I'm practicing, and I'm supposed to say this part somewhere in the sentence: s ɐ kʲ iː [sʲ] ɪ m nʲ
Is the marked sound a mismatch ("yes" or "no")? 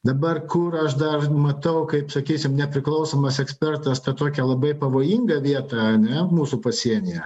no